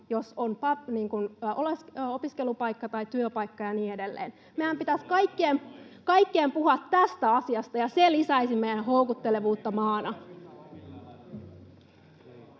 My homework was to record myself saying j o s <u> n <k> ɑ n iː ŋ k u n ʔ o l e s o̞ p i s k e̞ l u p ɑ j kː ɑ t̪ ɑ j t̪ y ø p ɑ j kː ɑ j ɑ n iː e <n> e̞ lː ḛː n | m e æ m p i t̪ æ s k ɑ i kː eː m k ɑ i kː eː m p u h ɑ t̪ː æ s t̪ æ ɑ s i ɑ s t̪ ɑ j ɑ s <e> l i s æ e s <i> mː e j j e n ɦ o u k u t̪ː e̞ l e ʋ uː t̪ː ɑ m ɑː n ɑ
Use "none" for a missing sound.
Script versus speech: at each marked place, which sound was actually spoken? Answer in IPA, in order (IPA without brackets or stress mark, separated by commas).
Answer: o, p, d, e, i